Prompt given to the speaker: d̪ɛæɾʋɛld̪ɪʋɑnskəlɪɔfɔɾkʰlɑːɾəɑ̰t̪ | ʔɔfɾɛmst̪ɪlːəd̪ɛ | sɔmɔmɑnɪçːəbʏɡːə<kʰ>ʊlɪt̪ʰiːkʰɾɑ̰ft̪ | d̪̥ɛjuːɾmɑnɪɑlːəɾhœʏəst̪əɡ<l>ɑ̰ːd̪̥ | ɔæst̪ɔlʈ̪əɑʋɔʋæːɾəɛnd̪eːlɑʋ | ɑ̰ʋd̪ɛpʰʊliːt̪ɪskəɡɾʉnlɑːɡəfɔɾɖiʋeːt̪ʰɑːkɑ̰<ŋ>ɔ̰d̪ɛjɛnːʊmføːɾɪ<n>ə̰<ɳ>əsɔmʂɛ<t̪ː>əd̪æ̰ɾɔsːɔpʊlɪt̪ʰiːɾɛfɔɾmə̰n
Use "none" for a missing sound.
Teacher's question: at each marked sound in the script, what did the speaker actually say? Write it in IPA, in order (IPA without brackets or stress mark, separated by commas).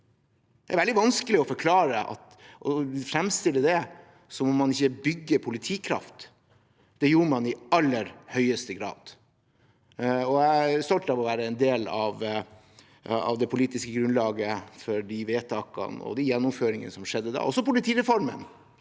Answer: pʰ, ɾ, n, ŋ, n, d̪ː